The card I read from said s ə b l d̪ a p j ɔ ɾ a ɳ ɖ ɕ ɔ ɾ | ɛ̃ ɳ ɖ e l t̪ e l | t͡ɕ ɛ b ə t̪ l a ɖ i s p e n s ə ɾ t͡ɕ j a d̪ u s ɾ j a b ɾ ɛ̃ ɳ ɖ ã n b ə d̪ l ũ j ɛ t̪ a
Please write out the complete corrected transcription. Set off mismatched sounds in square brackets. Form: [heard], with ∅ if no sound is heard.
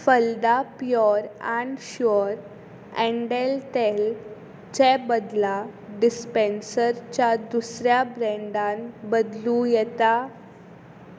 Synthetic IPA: [f] ə [∅] l d̪ a p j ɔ ɾ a ɳ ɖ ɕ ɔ ɾ | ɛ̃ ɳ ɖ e l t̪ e l | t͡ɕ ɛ b ə [d̪] l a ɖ i s p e n s ə ɾ t͡ɕ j a d̪ u s ɾ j a b ɾ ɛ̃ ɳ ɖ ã n b ə d̪ l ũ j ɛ t̪ a